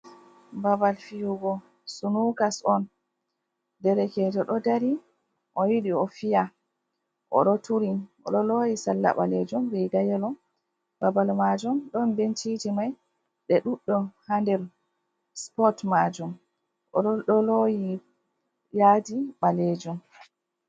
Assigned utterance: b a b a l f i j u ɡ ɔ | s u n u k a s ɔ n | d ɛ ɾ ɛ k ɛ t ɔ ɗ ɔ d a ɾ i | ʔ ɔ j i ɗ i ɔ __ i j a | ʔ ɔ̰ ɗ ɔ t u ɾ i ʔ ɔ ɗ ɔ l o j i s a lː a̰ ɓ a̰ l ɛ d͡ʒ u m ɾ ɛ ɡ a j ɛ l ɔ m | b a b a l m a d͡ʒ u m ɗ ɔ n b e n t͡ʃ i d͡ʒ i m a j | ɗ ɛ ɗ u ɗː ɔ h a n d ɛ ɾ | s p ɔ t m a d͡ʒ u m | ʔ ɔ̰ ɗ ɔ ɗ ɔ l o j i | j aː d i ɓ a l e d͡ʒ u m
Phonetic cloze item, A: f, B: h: A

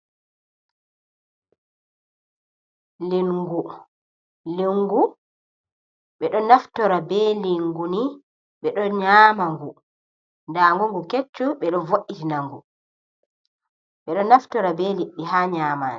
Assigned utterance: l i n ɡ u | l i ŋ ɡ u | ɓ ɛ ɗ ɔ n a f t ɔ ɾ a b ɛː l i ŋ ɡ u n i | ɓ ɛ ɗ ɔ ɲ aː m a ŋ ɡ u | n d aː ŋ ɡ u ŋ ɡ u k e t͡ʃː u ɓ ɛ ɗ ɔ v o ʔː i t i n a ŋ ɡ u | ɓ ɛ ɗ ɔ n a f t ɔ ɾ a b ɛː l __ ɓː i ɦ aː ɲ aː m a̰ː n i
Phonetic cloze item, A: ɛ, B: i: B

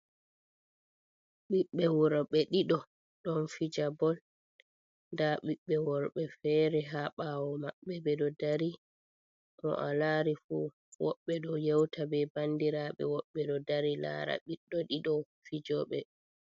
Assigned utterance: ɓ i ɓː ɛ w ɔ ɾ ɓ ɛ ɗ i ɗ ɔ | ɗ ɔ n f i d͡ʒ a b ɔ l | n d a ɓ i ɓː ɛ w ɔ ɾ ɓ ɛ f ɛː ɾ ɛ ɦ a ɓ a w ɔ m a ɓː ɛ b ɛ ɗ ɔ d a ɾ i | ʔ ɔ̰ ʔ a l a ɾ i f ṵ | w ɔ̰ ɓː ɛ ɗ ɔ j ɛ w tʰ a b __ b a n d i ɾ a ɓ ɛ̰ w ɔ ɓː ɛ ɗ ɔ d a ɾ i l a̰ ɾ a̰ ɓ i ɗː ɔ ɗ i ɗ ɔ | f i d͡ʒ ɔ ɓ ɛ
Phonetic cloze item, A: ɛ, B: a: A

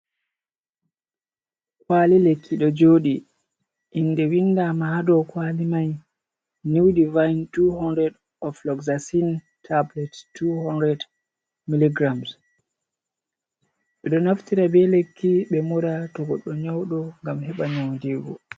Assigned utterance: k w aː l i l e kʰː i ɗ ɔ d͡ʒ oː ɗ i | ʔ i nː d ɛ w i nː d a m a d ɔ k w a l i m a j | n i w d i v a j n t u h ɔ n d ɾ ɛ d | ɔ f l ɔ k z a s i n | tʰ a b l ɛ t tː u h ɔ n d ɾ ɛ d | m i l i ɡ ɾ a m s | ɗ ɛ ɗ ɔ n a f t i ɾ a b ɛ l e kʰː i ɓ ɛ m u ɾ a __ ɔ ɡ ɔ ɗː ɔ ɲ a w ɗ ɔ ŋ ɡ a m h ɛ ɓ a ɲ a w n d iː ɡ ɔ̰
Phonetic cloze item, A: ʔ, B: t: B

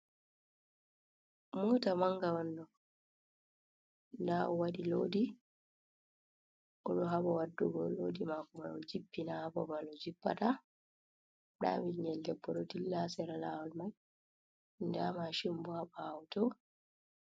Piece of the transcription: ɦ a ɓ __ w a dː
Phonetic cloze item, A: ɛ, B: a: B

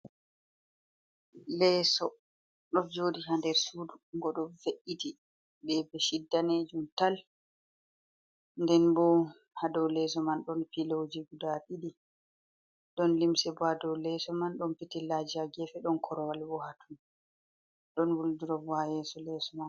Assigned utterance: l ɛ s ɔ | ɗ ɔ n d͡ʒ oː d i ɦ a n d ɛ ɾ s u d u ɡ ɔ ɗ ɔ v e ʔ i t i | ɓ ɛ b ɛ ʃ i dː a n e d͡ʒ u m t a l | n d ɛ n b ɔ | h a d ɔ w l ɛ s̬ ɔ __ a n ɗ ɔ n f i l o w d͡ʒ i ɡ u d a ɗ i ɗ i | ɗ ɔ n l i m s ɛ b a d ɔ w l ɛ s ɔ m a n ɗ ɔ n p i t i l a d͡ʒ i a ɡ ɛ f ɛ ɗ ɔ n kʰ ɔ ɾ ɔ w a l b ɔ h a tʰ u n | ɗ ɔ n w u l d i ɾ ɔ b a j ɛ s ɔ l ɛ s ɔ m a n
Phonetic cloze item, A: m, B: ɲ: A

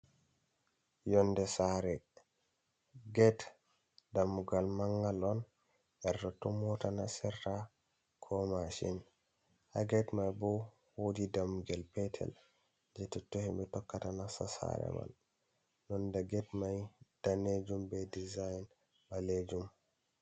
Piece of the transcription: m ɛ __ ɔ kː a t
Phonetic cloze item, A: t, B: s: A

